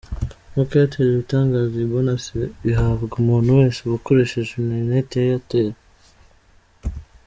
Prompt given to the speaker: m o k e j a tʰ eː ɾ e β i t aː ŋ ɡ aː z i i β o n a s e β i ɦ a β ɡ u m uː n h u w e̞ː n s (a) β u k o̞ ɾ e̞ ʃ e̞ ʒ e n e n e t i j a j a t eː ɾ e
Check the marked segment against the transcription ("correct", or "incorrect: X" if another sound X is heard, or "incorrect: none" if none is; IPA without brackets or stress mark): incorrect: e